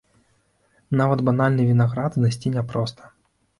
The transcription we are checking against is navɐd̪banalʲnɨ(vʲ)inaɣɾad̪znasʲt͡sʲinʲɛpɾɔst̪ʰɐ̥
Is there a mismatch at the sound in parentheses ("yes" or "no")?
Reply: no